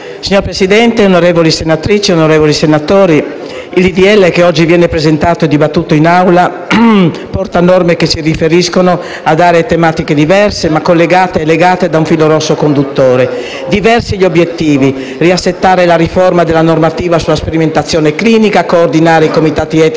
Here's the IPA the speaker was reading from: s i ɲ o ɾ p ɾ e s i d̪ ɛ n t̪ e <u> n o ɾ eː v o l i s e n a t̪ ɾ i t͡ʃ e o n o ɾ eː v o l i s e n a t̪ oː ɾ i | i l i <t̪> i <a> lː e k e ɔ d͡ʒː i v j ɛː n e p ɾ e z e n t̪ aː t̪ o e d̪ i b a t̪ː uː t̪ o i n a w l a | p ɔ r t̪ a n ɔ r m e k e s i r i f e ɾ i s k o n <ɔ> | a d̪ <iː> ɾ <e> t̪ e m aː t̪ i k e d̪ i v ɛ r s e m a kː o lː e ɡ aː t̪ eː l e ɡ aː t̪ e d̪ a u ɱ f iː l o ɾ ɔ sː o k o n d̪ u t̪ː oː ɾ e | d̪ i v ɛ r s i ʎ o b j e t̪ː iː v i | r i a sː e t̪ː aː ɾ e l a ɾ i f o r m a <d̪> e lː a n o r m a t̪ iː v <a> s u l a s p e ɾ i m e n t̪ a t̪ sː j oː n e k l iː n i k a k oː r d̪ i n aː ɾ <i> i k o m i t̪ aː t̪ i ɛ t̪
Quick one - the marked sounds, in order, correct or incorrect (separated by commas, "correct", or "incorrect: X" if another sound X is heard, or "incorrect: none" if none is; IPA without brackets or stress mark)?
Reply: incorrect: o, incorrect: d̪, incorrect: ɛ, incorrect: o, incorrect: aː, correct, correct, correct, incorrect: e